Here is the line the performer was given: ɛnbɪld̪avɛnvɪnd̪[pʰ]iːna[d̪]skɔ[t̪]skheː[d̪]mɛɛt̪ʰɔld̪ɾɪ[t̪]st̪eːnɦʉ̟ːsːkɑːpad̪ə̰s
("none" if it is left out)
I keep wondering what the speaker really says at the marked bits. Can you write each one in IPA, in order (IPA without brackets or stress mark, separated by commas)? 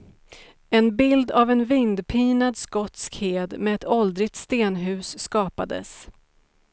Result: pʰ, d̪, t̪, d̪, t̪